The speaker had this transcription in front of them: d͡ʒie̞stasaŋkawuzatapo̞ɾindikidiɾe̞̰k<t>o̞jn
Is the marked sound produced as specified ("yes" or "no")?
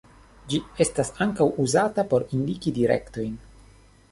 yes